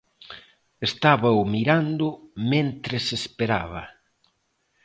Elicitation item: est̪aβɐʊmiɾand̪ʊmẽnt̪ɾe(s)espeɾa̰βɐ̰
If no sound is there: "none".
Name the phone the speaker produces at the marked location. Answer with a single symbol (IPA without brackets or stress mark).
s